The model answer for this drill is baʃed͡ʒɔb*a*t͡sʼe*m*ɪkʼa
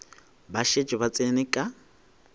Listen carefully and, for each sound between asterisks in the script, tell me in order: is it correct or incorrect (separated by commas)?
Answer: correct, incorrect